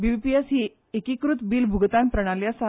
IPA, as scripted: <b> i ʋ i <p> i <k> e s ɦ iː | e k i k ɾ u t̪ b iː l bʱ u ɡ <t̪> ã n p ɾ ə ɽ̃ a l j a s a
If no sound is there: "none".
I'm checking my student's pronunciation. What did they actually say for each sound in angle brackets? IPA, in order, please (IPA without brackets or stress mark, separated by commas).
b, p, none, t̪